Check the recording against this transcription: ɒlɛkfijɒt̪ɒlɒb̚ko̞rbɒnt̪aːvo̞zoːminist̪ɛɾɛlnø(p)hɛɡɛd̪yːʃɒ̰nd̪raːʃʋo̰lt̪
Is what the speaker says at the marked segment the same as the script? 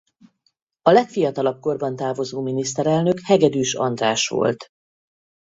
no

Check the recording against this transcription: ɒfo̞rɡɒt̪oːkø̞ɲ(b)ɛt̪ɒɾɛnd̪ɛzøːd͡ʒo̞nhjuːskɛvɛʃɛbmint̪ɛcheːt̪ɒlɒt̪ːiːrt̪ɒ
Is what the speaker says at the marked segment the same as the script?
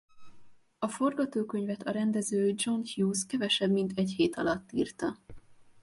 no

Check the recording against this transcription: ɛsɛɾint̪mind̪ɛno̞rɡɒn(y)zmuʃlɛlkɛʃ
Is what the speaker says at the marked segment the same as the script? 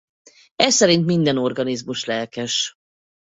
no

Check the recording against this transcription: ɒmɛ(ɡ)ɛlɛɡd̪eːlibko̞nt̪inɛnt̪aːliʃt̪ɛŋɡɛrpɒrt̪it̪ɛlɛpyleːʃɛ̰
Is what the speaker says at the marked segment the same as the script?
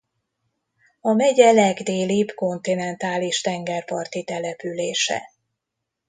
no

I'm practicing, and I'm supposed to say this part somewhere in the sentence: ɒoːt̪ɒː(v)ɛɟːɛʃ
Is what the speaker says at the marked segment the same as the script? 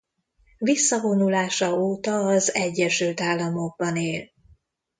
no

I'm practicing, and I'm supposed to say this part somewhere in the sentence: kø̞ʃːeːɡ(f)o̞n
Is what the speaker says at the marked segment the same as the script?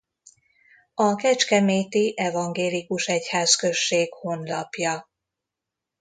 no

